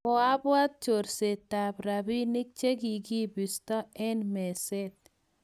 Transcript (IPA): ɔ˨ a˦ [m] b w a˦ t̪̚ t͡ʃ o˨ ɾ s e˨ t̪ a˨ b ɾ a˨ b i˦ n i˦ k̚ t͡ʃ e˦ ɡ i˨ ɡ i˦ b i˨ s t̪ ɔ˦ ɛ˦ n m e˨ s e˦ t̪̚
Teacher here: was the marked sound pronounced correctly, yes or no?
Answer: no